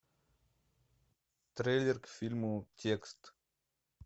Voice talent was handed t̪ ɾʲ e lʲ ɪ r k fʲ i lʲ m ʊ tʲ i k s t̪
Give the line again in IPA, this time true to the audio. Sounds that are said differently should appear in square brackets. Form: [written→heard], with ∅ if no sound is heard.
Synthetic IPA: t̪ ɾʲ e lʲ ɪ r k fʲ i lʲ m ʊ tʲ [i→e] k s t̪